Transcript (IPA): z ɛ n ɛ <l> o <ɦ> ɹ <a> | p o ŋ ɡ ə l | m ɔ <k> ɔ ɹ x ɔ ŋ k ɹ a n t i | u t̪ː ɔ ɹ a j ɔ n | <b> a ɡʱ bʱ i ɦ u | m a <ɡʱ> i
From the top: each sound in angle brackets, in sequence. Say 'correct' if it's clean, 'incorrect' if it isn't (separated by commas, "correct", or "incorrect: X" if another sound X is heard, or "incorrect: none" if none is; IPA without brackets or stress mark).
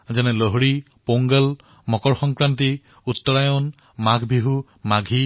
correct, correct, incorrect: i, correct, incorrect: m, correct